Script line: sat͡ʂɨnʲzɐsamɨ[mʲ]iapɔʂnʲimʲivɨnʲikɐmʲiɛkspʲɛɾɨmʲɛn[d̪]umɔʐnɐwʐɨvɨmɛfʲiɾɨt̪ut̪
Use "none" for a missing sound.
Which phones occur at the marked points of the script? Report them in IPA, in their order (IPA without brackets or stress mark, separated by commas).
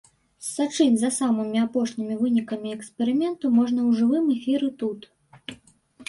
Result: mʲ, t̪